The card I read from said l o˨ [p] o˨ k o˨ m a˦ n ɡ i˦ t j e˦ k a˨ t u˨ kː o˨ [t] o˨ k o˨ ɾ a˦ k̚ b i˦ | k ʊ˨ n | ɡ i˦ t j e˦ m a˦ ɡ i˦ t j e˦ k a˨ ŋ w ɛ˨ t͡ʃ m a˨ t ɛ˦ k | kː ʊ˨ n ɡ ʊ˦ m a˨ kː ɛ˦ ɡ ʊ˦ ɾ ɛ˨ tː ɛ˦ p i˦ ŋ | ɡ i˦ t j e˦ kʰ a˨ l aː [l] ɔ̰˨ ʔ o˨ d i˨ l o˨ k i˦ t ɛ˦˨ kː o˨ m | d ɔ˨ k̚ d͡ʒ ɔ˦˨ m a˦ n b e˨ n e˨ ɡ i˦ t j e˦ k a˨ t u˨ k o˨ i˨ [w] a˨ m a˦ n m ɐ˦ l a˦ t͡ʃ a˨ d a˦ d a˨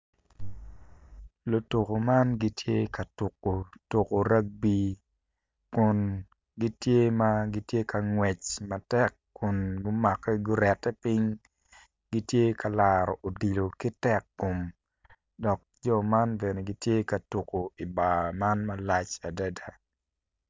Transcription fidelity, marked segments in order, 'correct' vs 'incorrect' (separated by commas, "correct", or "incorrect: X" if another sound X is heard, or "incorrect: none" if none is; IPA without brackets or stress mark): incorrect: t, correct, incorrect: ɾ, incorrect: b